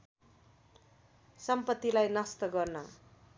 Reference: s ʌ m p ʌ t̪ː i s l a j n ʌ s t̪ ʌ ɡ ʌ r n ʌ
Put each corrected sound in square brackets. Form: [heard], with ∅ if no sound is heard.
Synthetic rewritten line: s ʌ m p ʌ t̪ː i [∅] l a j n ʌ s t̪ ʌ ɡ ʌ r n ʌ